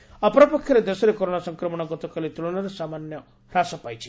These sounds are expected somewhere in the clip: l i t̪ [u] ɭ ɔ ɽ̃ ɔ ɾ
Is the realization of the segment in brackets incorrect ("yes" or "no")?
no